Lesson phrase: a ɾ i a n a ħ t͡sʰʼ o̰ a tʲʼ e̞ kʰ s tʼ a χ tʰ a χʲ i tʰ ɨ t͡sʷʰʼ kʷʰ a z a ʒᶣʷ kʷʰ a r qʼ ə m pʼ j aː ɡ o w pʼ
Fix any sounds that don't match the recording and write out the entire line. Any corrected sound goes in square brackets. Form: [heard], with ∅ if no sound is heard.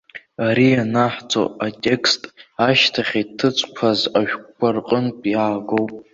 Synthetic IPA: a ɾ i a n a ħ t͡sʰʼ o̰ a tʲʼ e̞ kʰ s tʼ a [ʃ] tʰ a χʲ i tʰ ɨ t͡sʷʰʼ kʷʰ a z a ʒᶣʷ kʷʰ a r qʼ ə [n] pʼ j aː ɡ o w pʼ

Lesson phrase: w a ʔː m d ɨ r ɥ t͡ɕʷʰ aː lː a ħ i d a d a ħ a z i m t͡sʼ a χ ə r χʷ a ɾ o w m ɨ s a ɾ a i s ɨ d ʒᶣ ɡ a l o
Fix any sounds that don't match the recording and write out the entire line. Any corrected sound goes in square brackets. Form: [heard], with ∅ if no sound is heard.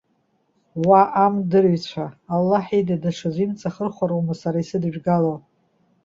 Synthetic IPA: w a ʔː m d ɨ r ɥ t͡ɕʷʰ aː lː a ħ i d a d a [ʂ] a z i m t͡sʼ a χ ə r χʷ a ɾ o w m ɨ s a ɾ a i s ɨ d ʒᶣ ɡ a l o

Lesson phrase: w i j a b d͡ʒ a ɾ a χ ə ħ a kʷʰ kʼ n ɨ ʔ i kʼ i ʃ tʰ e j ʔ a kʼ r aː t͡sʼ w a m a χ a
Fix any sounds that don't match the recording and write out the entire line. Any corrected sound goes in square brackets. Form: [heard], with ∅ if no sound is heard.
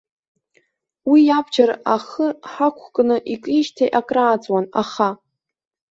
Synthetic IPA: w i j a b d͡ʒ a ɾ a χ ə ħ a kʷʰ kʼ n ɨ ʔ i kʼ i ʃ tʰ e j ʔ a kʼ r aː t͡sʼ w a [n] a χ a

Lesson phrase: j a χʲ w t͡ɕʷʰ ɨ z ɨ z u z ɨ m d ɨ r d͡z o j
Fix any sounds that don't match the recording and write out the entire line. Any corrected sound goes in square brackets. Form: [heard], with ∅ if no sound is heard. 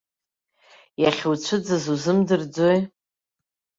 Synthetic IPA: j a χʲ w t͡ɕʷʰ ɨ [d͡z] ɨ z u z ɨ m d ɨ r d͡z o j

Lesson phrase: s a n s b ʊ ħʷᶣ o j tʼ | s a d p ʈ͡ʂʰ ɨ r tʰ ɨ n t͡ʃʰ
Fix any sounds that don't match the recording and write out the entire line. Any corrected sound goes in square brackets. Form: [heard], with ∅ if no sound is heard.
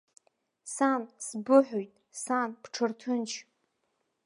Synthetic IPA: s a n s b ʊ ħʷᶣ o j tʼ | s a [n] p ʈ͡ʂʰ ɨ r tʰ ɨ n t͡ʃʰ

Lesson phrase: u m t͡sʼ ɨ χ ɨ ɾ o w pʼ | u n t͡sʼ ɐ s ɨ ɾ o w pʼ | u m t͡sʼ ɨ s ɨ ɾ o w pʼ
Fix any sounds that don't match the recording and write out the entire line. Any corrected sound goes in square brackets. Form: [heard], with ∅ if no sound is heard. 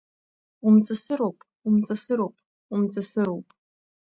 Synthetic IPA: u m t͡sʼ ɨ [s] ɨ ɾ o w pʼ | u [m] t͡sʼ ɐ s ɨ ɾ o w pʼ | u m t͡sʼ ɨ s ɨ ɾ o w pʼ

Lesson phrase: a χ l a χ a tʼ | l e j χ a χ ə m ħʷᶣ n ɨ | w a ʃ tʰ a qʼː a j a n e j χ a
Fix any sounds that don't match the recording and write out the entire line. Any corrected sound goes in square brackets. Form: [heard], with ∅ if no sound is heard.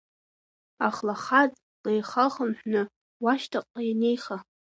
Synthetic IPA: a χ l a χ a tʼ | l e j χ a χ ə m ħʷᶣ n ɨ | w a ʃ tʰ a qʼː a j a n e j χ a

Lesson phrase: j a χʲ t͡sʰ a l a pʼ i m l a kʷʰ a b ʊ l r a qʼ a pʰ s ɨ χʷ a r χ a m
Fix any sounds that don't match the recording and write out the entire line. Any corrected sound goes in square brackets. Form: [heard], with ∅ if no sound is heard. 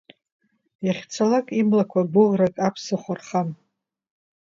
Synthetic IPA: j a χʲ t͡sʰ a l a [kʼ] i m l a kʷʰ a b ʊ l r a [kʼ] a pʰ s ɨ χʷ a r χ a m

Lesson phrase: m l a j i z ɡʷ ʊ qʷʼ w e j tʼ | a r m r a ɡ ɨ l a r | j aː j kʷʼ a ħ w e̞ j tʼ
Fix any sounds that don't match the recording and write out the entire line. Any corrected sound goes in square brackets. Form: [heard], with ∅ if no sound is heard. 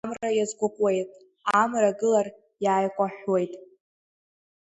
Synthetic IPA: m [r] a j [a] z ɡʷ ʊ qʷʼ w e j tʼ | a [∅] m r a ɡ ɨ l a r | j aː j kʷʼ a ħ w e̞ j tʼ

